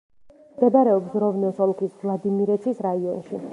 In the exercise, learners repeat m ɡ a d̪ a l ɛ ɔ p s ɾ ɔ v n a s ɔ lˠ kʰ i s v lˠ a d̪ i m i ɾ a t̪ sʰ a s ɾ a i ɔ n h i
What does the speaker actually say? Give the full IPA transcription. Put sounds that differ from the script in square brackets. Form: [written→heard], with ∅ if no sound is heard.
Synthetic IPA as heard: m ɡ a d̪ a [l→ɾ] ɛ ɔ p s ɾ ɔ v n [a→ɛ] s ɔ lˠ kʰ i s v lˠ a d̪ i m i ɾ [a→ɛ] t̪ sʰ [a→i] s ɾ a i ɔ n [h→ʃ] i